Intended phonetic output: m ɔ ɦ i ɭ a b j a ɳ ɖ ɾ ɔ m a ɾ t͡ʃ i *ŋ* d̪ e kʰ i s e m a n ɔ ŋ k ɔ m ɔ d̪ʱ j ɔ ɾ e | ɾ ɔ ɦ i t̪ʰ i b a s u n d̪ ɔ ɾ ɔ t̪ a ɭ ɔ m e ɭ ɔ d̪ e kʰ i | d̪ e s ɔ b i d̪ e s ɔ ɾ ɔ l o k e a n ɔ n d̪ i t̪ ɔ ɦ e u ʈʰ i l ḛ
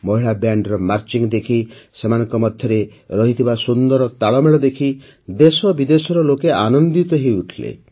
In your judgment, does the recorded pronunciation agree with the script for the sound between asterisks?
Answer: yes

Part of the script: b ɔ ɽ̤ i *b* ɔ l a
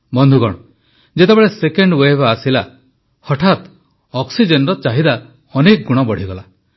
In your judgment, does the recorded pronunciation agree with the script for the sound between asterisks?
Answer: no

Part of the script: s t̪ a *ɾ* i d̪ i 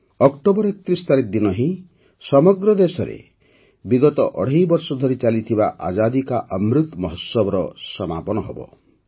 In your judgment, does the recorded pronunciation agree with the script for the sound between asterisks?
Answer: yes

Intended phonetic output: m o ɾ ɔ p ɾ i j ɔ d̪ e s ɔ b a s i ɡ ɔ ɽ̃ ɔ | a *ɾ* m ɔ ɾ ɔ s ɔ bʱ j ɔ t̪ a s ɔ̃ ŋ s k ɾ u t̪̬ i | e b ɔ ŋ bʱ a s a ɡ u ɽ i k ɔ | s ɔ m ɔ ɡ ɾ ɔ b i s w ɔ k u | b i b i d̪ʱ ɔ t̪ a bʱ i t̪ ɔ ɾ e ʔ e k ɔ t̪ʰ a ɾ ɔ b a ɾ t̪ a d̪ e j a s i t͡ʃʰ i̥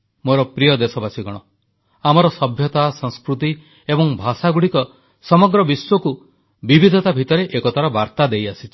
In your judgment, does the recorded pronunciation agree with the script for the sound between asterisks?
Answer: no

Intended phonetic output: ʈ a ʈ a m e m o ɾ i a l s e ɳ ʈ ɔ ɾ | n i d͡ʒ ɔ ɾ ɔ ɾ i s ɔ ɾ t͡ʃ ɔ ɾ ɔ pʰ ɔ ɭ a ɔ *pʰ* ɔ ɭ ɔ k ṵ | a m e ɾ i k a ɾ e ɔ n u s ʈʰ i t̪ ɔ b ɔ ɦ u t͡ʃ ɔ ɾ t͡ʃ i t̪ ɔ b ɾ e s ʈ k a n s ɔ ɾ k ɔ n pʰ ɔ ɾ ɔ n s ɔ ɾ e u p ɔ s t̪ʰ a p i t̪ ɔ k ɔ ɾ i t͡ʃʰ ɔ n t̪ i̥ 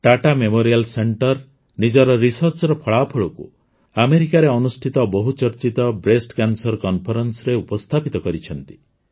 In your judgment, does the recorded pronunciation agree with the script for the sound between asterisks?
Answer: yes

